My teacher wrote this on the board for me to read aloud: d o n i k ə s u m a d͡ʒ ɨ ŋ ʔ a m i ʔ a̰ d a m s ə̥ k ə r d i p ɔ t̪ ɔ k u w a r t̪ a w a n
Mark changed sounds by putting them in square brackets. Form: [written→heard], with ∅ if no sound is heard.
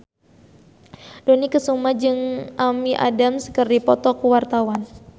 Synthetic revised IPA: d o n i k ə s u m a d͡ʒ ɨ ŋ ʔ a m i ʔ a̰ d a m s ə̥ k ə r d i p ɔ t̪ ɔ k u w a r t̪ a w a n